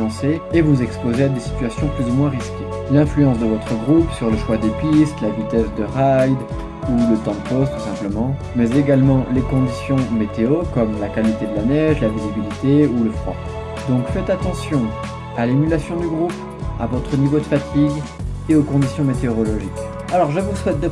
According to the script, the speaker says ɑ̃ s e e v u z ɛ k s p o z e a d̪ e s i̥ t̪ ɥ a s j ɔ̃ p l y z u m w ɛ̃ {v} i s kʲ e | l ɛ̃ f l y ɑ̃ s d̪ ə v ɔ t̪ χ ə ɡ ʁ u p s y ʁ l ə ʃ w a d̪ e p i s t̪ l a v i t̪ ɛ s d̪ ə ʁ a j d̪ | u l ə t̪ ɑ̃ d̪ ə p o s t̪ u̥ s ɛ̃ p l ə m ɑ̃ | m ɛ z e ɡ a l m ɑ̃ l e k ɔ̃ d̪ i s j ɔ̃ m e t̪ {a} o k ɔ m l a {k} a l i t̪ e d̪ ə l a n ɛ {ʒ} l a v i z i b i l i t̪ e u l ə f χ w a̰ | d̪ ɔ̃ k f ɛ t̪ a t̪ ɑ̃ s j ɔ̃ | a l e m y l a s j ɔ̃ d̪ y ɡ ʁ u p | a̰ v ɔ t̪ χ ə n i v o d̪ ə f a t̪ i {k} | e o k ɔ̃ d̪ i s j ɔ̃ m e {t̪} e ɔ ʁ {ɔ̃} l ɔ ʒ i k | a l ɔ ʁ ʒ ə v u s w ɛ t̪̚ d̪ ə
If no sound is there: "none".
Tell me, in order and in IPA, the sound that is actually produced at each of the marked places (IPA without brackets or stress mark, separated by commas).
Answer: ʁ, e, k, ʒ, ɡ, t̪, ɔ